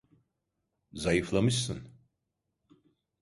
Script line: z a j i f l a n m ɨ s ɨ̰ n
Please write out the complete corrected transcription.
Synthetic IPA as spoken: z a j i f l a m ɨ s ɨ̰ n